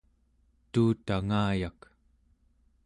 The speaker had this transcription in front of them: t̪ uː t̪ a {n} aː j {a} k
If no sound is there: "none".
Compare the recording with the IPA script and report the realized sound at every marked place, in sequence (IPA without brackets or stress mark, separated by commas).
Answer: ŋ, a